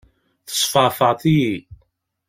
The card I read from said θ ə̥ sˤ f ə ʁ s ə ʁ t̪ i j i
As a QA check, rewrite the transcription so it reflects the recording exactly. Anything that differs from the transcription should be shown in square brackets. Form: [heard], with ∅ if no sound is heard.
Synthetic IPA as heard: θ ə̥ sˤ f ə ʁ [f] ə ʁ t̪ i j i